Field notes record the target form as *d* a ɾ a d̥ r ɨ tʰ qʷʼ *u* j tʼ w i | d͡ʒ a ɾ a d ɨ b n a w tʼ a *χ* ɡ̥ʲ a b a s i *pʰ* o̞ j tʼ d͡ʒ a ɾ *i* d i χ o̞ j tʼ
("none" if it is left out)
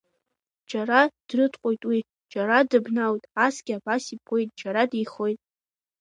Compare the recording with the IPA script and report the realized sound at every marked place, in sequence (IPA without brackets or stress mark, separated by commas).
d͡ʒ, o, s, pʰ, a